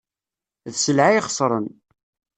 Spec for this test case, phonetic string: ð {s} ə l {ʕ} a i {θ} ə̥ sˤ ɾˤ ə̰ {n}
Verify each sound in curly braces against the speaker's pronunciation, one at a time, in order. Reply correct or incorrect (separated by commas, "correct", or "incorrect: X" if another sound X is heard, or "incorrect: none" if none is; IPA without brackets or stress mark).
correct, correct, incorrect: χ, correct